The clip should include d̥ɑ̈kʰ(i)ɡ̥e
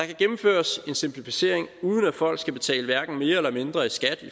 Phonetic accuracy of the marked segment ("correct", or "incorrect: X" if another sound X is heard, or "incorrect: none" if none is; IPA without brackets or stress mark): incorrect: æ